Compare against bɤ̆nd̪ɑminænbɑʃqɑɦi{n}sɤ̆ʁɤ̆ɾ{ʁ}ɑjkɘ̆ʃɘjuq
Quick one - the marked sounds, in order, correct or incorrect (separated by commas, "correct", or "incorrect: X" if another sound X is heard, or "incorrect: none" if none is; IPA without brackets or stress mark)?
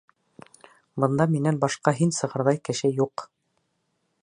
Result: correct, incorrect: ð